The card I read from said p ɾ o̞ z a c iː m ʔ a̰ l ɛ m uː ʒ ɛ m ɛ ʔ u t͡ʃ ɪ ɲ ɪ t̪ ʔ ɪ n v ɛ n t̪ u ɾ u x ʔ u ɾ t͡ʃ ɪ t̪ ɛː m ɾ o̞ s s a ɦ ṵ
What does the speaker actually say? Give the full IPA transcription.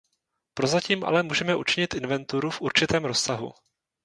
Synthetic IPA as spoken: p ɾ o̞ z a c iː m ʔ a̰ l ɛ m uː ʒ ɛ m ɛ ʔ u t͡ʃ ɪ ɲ ɪ t̪ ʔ ɪ n v ɛ n t̪ u ɾ u f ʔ u ɾ t͡ʃ ɪ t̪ ɛː m ɾ o̞ s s a ɦ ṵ